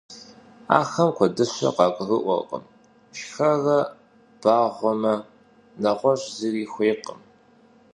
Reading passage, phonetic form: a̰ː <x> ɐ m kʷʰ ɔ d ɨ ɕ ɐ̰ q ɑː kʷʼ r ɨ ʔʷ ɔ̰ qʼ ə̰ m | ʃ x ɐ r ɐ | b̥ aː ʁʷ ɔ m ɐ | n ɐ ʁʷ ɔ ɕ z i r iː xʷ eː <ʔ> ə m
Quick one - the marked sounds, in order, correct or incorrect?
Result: correct, incorrect: q

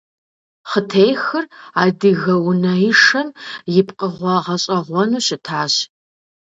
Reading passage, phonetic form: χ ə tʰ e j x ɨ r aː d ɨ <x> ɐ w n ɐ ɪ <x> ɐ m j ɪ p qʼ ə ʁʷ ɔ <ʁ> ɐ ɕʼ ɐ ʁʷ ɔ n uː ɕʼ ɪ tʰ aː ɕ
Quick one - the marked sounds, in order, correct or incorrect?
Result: incorrect: ɣ, incorrect: ʂ, correct

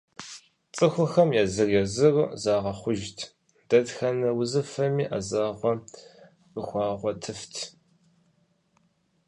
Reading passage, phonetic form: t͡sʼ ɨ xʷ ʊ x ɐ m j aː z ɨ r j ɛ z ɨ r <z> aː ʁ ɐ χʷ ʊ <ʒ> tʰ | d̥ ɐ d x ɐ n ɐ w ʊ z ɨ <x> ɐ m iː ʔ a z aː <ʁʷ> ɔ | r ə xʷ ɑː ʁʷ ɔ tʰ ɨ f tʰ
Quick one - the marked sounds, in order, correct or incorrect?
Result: correct, correct, incorrect: f, correct

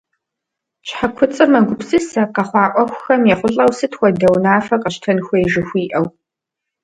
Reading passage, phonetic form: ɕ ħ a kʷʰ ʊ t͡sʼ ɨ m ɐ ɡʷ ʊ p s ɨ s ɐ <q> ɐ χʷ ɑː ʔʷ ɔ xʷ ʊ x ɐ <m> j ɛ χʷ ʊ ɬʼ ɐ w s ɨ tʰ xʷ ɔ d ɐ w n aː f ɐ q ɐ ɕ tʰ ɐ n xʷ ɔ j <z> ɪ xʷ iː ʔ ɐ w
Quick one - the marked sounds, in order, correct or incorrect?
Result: correct, correct, incorrect: ʒ

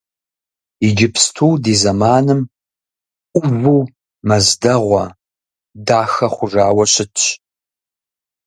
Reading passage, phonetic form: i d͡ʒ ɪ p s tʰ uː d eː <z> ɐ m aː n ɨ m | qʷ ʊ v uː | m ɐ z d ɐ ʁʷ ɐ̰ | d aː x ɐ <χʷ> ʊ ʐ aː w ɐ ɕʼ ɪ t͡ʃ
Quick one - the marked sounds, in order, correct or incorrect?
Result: correct, correct

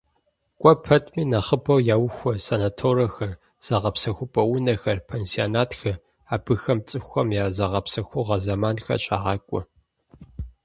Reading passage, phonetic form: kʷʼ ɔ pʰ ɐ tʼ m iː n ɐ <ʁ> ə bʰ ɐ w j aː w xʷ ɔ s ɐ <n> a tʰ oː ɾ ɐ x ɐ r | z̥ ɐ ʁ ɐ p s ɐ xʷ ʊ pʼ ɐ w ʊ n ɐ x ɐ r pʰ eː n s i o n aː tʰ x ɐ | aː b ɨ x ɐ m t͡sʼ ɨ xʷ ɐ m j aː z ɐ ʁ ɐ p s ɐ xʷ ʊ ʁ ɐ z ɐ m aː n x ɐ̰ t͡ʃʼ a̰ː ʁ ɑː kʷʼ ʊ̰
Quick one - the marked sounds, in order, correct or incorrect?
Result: incorrect: χ, correct

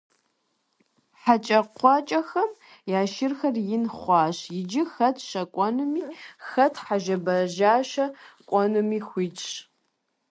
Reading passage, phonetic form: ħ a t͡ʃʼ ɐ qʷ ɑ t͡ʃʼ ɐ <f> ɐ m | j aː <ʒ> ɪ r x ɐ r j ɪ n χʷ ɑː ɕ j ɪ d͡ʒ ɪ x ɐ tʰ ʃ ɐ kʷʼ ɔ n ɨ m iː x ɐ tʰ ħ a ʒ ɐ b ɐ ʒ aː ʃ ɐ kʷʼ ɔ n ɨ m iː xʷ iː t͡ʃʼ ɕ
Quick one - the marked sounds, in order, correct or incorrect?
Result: incorrect: x, incorrect: ʃ

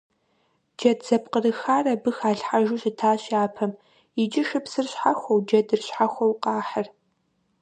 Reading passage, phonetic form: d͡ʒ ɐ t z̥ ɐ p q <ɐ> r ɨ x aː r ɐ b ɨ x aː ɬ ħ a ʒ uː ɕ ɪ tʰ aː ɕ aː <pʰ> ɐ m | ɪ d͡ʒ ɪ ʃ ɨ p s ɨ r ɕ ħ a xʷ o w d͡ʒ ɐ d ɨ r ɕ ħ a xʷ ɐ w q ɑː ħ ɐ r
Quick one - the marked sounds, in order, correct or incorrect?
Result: incorrect: ə, correct

